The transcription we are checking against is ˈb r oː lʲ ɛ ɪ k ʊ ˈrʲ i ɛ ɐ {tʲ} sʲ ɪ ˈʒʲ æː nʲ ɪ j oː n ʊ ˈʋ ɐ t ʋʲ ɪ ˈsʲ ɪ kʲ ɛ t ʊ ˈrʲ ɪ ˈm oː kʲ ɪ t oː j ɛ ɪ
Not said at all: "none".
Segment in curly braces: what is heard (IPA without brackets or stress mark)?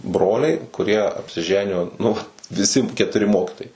pʲ